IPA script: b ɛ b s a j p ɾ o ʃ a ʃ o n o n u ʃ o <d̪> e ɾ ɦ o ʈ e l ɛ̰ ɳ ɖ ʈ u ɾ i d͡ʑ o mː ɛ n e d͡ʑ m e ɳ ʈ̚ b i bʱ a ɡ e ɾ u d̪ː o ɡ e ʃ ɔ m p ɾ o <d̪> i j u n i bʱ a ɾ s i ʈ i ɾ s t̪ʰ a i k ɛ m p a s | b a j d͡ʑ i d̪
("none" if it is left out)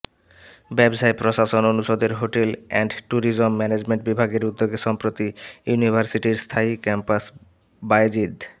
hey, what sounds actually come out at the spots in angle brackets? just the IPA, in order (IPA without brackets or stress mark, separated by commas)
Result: d̪, t̪